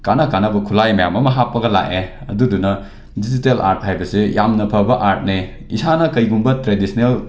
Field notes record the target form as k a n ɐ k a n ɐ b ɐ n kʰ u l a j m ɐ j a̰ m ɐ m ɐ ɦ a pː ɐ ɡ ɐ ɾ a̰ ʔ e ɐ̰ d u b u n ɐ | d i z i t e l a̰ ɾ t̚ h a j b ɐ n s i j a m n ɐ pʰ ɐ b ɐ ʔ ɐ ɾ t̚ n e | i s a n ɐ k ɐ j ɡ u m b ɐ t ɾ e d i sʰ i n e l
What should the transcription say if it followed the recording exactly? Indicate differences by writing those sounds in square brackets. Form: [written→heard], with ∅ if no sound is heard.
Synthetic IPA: k a n ɐ k a n ɐ b ɐ [n→∅] kʰ u l a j m ɐ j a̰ m ɐ m ɐ ɦ a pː ɐ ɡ ɐ [ɾ→l] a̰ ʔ e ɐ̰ d u [b→d] u n ɐ | d i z i t e l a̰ ɾ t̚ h a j b ɐ [n→∅] s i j a m n ɐ pʰ ɐ b ɐ ʔ [ɐ→a] ɾ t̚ n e | i s a n ɐ k ɐ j ɡ u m b ɐ t ɾ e d i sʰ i n e l